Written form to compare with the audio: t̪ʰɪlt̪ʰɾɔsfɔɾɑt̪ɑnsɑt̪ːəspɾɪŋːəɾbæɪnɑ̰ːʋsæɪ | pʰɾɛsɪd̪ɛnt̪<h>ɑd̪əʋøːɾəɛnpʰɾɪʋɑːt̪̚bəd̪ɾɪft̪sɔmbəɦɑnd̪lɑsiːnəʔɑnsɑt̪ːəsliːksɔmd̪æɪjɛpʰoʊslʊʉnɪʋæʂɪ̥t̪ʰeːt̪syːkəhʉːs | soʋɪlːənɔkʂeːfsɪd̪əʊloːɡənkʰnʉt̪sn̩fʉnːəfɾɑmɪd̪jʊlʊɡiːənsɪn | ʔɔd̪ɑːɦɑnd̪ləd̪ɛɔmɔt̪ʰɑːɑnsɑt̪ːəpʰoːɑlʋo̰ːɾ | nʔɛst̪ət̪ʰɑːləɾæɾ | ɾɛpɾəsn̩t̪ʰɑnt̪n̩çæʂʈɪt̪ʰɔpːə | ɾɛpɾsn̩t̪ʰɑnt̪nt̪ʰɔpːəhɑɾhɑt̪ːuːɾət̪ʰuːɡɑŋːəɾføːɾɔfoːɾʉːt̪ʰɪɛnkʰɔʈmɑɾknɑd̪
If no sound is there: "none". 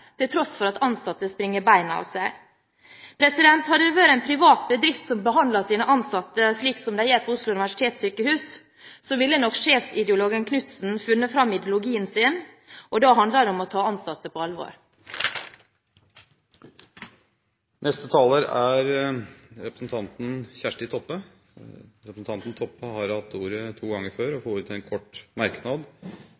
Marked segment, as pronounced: h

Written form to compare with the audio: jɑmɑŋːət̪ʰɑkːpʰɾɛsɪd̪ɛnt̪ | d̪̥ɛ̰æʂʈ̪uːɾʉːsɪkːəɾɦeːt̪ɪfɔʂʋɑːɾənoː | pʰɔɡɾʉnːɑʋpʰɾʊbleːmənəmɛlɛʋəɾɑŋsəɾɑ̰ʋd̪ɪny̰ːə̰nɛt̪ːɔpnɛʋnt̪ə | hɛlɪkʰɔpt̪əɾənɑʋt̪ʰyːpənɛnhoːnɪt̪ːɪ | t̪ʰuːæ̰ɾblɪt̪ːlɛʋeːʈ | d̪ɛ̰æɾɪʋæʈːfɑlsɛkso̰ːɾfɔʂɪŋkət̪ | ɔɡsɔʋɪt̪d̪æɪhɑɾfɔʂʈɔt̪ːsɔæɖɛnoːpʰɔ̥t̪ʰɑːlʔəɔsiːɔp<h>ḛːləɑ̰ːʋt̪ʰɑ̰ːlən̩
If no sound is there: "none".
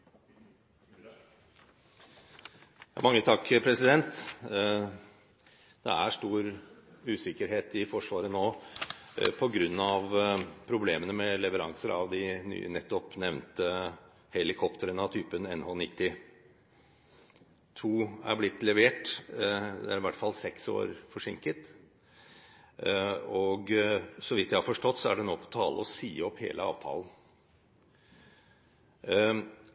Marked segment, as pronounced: h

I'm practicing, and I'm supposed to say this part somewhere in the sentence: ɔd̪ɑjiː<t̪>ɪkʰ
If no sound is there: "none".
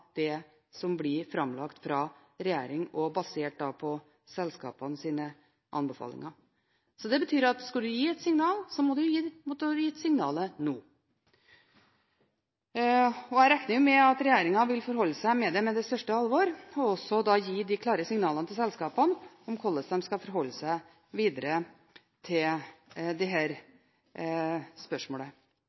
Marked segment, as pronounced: d̪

